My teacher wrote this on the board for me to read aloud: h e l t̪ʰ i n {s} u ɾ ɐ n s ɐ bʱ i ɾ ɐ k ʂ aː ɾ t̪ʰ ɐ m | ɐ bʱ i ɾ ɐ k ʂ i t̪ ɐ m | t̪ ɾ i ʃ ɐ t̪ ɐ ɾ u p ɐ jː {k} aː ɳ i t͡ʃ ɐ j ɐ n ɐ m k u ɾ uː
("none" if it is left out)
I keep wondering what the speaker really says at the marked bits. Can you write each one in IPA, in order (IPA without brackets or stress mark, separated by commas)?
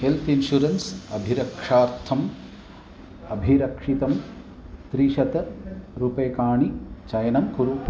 ʃ, k